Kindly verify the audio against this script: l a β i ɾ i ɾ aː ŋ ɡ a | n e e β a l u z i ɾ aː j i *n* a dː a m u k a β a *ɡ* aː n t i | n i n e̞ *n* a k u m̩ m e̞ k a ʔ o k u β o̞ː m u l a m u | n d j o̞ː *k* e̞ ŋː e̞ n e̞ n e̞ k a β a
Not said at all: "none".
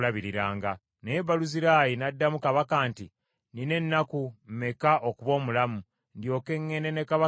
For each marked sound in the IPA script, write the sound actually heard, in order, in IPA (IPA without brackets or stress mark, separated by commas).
n, k, nː, k